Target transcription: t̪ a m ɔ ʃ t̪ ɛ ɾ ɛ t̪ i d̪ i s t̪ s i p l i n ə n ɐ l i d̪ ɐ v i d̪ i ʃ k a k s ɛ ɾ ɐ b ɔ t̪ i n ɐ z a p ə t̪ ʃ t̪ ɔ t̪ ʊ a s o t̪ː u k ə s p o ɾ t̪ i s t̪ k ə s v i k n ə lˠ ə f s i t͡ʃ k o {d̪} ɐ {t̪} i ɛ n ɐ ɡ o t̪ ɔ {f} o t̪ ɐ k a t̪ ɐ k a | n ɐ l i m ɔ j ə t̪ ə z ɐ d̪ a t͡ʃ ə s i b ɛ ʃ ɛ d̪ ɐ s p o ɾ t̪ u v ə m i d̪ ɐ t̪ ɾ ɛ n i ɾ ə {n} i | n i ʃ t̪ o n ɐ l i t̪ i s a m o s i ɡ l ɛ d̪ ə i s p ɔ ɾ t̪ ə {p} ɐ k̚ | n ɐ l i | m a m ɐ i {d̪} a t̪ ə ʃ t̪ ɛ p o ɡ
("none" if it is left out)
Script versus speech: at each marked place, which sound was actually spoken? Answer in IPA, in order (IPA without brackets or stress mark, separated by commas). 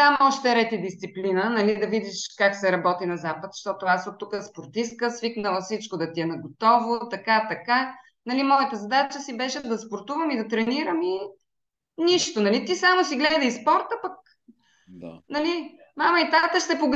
d̪, t̪, v, m, p, t̪